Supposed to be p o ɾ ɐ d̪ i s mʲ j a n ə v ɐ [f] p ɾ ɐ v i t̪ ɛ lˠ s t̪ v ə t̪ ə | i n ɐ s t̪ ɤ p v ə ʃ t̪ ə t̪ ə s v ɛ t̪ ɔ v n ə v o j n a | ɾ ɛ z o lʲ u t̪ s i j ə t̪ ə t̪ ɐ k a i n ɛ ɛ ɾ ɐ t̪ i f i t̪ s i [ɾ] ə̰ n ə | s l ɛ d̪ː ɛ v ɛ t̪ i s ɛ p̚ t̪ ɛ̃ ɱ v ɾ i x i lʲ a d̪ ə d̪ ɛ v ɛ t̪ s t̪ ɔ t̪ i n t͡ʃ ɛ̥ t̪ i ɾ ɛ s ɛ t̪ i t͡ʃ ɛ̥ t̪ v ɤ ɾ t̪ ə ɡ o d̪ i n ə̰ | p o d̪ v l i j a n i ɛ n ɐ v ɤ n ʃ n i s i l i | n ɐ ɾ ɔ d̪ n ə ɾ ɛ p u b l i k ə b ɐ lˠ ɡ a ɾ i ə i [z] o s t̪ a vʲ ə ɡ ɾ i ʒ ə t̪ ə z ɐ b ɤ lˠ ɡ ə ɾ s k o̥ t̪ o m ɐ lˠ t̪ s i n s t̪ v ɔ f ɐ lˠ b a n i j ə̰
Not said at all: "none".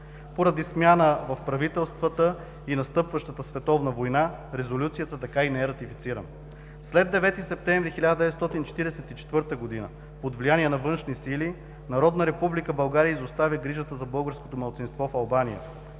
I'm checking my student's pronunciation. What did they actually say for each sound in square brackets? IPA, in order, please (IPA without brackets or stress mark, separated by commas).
f, ɾ, z